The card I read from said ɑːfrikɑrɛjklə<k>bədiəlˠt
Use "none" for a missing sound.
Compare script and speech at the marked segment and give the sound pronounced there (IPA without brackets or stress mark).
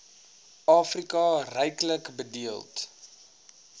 k